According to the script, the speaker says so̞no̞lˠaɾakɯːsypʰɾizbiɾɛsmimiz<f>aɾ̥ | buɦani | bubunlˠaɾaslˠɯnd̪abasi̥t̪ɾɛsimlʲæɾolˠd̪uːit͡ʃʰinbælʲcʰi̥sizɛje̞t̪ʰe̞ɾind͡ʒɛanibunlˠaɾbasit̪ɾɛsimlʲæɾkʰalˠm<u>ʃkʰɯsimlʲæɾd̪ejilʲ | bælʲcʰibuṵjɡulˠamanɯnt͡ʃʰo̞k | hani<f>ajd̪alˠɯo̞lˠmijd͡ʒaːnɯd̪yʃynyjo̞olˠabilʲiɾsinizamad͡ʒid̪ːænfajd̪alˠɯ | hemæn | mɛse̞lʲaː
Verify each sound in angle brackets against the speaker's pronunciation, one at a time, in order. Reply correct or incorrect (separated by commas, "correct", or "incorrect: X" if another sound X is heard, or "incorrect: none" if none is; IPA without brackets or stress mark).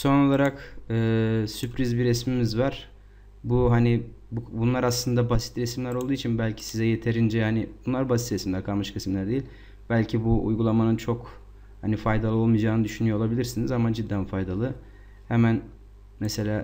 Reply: incorrect: v, incorrect: ɯ, correct